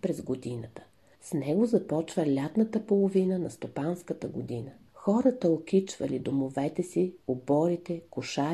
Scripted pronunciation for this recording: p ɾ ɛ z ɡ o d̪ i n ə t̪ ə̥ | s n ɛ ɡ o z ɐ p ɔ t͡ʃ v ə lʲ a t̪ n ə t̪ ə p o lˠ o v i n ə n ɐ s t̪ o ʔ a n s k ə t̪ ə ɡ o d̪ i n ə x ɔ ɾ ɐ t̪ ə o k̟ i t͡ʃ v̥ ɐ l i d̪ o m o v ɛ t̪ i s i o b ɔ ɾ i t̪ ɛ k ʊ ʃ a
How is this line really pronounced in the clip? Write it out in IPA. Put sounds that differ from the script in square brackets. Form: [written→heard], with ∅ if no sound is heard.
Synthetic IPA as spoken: p ɾ ɛ z ɡ o d̪ i n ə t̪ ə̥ | s n ɛ ɡ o z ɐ p ɔ t͡ʃ v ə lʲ a t̪ n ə t̪ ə p o lˠ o v i n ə n ɐ s t̪ o [ʔ→p] a n s k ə t̪ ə ɡ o d̪ i n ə x ɔ ɾ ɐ t̪ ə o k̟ i t͡ʃ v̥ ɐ l i d̪ o m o v ɛ t̪ [i→ɛ] s i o b ɔ ɾ i t̪ ɛ k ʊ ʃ a